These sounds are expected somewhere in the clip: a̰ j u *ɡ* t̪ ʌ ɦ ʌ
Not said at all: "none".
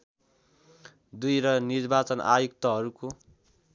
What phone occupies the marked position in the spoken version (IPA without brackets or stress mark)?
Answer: k